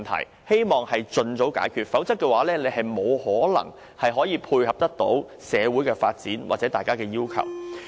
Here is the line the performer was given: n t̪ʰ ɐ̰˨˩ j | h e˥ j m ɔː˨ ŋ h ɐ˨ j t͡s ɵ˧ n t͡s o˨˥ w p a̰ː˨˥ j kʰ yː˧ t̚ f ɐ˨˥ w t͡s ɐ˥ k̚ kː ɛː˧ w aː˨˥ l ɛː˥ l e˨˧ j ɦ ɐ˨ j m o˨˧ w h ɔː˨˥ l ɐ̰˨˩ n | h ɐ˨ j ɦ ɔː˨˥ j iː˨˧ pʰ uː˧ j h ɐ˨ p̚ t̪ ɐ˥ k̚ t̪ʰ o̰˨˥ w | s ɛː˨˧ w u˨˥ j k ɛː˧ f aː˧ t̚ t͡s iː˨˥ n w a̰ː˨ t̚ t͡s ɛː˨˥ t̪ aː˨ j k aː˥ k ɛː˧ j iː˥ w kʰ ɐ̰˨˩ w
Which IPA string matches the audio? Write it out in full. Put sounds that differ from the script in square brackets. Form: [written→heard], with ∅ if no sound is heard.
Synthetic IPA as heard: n t̪ʰ ɐ̰˨˩ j | h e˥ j m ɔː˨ ŋ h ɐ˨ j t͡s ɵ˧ n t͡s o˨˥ w [p→k] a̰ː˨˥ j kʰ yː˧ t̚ f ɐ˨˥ w t͡s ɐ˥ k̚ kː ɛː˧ w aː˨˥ l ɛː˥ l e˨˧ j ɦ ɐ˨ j m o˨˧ w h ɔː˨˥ l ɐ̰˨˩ [n→ŋ] | h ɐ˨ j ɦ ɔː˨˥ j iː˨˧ pʰ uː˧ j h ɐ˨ p̚ t̪ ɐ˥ k̚ [t̪ʰ→t̪] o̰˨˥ w | s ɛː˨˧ w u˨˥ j k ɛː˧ f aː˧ t̚ t͡s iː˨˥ n w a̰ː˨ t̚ t͡s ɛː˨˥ t̪ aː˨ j k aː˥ k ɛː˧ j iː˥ w kʰ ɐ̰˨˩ w